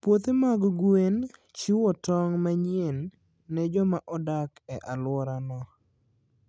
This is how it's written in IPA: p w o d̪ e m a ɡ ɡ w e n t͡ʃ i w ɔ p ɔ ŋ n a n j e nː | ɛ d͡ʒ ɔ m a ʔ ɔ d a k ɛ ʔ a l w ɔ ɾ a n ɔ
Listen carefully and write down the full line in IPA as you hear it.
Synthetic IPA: p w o t̪ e m a ɡ ɡ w e n t͡ʃ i w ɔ t ɔ ŋ m a ɲ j e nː | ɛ d͡ʒ ɔ m a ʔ ɔ d a k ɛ ʔ a l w ɔ ɾ a n ɔ